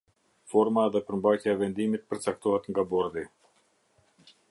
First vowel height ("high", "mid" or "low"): mid